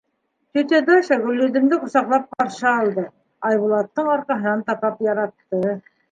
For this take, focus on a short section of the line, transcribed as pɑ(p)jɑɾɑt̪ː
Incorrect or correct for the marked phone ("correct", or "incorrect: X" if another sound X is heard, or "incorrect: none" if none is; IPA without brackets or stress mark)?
correct